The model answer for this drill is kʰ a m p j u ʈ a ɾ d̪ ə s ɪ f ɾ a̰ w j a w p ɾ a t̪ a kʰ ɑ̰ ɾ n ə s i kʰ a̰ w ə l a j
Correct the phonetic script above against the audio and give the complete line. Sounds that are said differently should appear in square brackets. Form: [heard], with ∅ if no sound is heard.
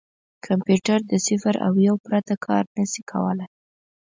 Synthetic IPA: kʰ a m p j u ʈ a ɾ d̪ ə s ɪ f ɾ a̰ w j a w p ɾ a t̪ a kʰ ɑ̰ ɾ n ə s i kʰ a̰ w ə l a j